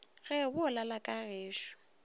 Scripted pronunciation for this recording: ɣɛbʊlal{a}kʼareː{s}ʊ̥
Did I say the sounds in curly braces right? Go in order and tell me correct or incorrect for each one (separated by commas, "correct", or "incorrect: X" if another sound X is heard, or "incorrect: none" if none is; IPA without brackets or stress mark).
correct, incorrect: ʃ